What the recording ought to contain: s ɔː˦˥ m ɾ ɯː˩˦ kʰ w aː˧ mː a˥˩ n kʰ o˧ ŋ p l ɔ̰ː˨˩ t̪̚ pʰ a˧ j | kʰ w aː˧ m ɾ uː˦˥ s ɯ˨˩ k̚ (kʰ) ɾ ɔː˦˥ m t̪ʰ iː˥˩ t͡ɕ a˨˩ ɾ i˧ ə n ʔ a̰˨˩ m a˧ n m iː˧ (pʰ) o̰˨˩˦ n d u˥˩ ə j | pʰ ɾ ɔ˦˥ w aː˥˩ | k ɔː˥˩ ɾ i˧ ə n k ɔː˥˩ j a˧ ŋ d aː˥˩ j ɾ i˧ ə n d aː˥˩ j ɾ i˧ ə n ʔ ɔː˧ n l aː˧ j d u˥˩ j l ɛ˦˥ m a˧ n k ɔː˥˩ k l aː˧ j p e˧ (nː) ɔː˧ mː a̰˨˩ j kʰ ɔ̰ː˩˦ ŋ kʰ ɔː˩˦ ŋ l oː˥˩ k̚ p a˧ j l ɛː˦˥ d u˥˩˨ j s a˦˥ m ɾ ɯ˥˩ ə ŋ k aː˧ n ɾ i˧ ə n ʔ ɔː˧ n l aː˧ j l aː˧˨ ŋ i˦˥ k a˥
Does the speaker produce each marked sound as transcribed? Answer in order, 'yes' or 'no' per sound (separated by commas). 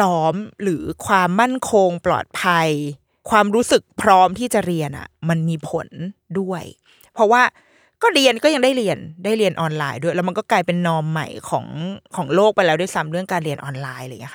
no, yes, yes